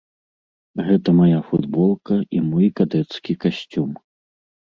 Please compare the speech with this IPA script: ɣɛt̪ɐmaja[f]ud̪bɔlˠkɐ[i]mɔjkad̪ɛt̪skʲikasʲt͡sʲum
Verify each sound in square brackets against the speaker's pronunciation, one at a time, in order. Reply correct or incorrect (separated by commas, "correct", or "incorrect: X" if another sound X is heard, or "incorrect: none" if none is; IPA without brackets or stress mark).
correct, correct